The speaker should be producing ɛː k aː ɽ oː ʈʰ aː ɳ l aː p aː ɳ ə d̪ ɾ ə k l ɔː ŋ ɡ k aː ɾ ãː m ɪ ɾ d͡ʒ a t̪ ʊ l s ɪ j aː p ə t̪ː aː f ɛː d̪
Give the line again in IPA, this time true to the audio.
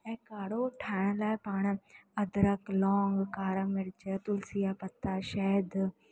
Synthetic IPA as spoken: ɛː k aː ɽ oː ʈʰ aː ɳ l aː p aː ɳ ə d̪ ɾ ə k l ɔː ŋ ɡ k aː ɾ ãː m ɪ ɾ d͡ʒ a t̪ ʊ l s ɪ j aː p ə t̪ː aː ʃ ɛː d̪